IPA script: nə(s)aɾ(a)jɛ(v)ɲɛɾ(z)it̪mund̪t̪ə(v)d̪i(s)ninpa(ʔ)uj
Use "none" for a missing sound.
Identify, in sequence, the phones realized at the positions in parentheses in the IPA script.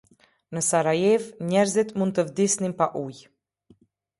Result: s, a, v, z, v, s, ʔ

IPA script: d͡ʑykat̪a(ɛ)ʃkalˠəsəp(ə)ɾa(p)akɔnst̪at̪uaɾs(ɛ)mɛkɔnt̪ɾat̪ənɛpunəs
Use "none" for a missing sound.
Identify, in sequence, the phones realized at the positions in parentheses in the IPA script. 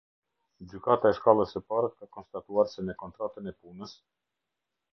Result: ɛ, a, k, ɛ

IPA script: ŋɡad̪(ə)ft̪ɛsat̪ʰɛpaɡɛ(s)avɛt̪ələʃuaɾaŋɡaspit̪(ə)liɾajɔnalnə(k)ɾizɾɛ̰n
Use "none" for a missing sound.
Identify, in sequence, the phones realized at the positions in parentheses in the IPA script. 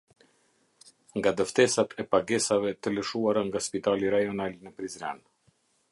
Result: ə, s, a, p

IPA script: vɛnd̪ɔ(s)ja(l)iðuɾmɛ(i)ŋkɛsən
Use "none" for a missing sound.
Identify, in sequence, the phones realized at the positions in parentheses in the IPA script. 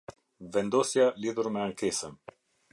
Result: s, l, a

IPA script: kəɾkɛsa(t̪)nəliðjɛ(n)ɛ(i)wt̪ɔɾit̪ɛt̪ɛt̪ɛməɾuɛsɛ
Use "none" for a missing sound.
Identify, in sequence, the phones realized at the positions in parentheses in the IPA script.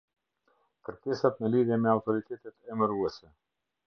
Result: t̪, m, a

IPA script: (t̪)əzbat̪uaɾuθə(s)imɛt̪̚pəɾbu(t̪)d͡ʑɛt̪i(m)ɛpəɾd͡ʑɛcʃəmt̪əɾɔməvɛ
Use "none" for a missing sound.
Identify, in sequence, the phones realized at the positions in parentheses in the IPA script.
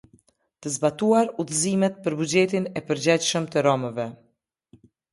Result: t̪, z, none, n

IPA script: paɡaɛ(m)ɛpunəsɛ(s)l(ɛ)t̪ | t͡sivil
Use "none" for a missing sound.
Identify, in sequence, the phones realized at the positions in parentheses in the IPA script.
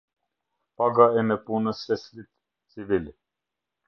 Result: m, s, i

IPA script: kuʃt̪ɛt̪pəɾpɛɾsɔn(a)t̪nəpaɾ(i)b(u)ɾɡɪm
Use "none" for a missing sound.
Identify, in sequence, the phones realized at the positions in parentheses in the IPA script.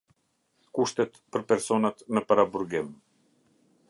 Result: a, a, u

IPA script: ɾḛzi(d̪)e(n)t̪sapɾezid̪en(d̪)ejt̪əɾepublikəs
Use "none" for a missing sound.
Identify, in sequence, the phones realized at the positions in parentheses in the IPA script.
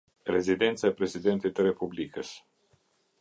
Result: d̪, n, t̪

